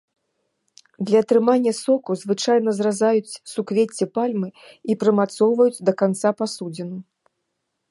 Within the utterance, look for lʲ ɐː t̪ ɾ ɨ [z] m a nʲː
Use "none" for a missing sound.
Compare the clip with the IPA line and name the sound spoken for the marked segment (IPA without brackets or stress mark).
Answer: none